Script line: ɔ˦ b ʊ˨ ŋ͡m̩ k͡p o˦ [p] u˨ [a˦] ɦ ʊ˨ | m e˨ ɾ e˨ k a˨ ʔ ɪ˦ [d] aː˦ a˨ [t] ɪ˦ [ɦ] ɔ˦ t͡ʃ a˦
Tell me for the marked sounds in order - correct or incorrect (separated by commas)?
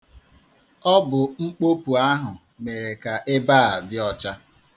correct, correct, incorrect, incorrect, incorrect